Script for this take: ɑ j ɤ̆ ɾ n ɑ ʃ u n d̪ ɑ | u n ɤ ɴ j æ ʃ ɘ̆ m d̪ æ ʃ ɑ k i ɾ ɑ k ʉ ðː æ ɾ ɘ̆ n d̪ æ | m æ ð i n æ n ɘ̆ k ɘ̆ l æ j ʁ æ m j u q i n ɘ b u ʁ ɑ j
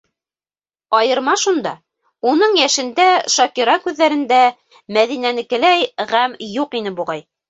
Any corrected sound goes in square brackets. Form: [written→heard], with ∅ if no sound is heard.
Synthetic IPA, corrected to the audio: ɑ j ɤ̆ ɾ [n→m] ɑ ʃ u n d̪ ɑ | u n ɤ ɴ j æ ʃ ɘ̆ [m→n] d̪ æ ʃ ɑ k i ɾ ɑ k ʉ ðː æ ɾ ɘ̆ n d̪ æ | m æ ð i n æ n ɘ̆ k ɘ̆ l æ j ʁ æ m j u q i n ɘ b u ʁ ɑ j